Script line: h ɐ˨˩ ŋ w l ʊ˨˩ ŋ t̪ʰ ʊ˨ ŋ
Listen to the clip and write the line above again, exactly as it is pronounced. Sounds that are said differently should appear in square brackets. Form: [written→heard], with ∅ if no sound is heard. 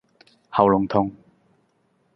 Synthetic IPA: h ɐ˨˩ [ŋ→∅] w l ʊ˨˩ ŋ t̪ʰ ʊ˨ ŋ